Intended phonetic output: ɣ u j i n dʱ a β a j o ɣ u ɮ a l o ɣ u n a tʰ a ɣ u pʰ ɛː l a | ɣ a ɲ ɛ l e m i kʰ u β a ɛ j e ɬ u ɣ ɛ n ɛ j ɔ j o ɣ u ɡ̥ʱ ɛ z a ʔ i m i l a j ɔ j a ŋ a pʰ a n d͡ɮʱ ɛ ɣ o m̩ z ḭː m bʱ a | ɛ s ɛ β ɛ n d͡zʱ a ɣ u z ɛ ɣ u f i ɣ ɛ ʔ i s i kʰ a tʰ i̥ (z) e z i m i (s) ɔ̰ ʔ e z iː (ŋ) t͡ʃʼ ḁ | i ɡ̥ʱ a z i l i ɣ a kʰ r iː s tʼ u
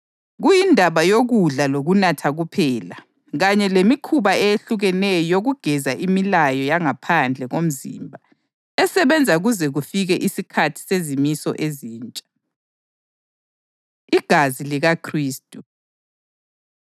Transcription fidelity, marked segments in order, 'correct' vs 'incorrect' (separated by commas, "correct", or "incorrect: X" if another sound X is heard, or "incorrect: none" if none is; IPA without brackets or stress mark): incorrect: s, correct, incorrect: n